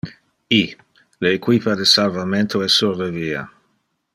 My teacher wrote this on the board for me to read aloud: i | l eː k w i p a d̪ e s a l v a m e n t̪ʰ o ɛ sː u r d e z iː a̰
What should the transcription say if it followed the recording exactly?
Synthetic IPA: i | l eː k w i p a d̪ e s a l v a m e n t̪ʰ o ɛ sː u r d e v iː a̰

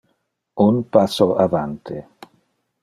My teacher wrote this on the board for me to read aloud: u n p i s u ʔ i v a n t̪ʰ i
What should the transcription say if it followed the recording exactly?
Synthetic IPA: u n p a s o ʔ a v a n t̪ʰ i

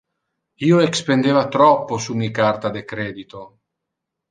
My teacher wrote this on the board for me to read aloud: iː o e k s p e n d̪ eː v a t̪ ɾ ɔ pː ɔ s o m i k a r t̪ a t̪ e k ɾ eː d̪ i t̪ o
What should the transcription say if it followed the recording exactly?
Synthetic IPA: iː o e k s p e n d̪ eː v a t̪ ɾ ɔ pː o s u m i k a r t̪ a d̪ e k ɾ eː d̪ i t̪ o

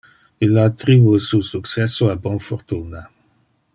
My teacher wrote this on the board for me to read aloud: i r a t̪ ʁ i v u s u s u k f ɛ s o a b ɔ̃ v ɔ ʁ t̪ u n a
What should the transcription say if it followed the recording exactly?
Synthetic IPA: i l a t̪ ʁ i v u s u s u k s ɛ s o a b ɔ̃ f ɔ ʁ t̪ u n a

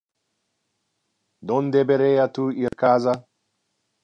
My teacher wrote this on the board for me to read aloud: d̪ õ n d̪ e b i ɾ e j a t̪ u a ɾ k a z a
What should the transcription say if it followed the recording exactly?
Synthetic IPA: d̪ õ n d̪ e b e ɾ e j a t̪ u i ɾ k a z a

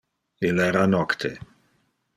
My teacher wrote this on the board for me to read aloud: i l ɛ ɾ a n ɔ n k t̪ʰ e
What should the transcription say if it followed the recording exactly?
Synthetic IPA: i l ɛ ɾ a n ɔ k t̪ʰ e

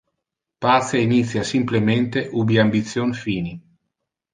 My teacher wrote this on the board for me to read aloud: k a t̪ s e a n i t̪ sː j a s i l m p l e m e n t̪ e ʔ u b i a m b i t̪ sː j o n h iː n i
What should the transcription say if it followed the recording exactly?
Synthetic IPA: p a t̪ s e i n i t̪ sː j a s i m p l e m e n t̪ e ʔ u b i a m b i t̪ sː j o n f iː n i

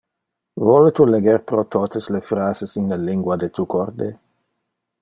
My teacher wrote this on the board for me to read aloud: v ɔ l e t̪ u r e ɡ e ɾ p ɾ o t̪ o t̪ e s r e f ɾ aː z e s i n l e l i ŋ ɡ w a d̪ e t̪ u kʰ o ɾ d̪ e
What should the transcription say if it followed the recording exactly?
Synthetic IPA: v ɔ l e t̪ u l e ɡ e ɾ p ɾ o t̪ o t̪ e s l e f ɾ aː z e s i n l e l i ŋ ɡ w a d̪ e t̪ u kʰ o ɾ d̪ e

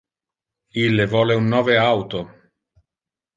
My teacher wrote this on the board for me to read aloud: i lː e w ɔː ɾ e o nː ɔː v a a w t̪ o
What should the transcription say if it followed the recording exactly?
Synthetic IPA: i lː e v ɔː l e u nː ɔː v e a w t̪ o

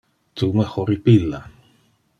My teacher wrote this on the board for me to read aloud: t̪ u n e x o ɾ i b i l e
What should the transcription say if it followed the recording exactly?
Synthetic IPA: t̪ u m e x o ɾ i p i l a

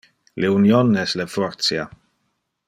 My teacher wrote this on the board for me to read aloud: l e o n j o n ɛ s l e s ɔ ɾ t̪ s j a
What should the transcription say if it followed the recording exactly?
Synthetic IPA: l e u n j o n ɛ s l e f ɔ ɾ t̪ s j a

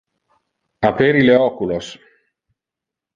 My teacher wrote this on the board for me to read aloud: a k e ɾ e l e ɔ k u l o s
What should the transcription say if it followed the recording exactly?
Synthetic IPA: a p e ɾ i l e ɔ k u l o s

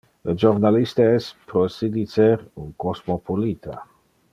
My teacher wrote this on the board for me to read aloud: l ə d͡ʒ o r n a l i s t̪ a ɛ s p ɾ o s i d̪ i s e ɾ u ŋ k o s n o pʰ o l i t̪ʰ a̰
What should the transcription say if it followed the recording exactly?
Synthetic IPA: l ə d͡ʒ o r n a l i s t̪ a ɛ s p ɾ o s i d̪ i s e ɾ u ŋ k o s m o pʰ o l i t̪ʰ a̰

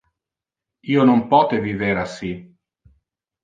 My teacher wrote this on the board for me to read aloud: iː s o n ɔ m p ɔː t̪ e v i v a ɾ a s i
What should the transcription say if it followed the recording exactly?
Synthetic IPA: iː o n o m p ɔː t̪ e v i v e ɾ a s i

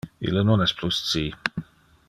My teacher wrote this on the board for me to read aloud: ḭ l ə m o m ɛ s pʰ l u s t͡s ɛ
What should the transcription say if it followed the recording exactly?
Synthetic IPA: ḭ l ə n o n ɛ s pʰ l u s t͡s i

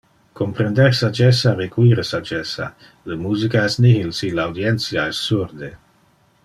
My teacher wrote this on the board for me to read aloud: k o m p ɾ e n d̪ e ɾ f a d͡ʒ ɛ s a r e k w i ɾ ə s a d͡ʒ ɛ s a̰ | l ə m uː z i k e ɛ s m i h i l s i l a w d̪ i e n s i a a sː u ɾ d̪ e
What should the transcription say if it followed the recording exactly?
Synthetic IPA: k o m p ɾ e n d̪ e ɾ s a d͡ʒ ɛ s a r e k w i ɾ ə s a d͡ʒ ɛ s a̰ | l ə m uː z i k a ɛ s n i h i l s i l a w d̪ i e n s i a ɛ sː u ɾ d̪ e

